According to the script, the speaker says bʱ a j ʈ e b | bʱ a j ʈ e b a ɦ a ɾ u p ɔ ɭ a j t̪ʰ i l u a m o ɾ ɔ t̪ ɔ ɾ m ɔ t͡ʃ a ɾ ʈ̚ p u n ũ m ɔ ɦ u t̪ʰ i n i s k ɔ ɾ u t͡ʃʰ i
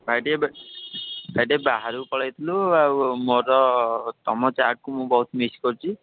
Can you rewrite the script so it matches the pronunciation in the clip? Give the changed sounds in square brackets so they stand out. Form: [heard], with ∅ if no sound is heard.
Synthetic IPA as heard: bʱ a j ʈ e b | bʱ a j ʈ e b a ɦ a ɾ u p ɔ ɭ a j t̪ʰ i l u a m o ɾ ɔ t̪ ɔ [∅] m ɔ t͡ʃ a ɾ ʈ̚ [k] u [m] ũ [b] ɔ ɦ u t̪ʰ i [m] i s k ɔ ɾ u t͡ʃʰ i